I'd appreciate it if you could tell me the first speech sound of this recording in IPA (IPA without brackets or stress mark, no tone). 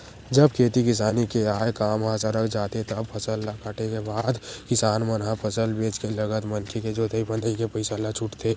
d͡ʒ